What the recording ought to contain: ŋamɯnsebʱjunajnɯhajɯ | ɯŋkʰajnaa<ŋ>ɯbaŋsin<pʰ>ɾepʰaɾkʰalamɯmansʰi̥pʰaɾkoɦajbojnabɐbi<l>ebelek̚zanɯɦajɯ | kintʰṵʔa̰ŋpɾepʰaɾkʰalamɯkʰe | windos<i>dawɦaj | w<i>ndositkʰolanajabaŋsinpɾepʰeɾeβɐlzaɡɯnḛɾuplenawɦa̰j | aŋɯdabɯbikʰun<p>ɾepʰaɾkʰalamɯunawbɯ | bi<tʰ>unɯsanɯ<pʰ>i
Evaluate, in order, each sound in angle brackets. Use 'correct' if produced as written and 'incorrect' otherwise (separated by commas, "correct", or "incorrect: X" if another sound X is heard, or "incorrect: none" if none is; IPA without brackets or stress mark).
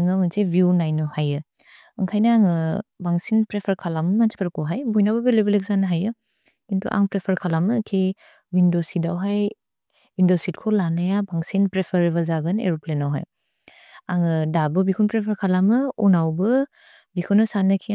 correct, incorrect: p, correct, correct, correct, correct, incorrect: kʰ, incorrect: kʰ